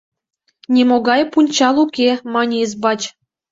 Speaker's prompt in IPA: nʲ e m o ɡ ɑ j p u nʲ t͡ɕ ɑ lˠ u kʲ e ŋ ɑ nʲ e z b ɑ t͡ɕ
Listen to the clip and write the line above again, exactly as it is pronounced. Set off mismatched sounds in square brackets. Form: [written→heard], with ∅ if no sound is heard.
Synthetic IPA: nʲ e m o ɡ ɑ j p u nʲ t͡ɕ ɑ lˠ u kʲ e [ŋ→m] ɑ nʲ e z b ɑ t͡ɕ